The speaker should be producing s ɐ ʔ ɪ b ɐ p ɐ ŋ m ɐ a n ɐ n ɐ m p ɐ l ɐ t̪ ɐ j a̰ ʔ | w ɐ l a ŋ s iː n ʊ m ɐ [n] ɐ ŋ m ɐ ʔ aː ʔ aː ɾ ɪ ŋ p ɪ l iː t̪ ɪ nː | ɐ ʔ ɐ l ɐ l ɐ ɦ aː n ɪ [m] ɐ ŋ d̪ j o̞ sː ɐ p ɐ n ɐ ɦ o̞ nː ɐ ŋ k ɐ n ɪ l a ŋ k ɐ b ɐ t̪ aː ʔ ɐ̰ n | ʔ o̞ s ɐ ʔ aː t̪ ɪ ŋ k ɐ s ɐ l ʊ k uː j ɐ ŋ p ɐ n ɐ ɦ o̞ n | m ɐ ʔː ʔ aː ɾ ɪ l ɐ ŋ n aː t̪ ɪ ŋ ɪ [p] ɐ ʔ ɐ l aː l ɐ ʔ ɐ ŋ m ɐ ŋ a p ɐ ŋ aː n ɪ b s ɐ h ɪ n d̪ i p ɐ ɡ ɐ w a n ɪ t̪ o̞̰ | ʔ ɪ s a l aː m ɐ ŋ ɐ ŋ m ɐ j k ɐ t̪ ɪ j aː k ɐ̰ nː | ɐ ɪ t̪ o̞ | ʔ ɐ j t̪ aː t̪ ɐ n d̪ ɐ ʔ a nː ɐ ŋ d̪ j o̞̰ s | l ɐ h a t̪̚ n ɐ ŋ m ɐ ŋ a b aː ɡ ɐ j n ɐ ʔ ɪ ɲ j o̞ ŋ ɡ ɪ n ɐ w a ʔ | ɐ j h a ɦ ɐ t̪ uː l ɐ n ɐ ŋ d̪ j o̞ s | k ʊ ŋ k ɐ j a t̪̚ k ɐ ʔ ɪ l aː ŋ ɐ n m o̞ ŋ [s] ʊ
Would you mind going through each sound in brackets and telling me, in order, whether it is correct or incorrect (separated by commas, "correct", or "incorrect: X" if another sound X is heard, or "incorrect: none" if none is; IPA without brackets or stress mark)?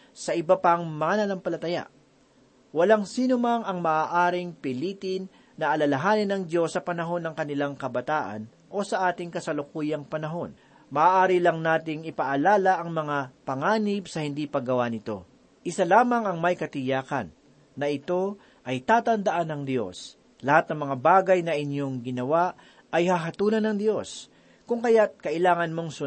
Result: incorrect: ŋ, incorrect: n, correct, correct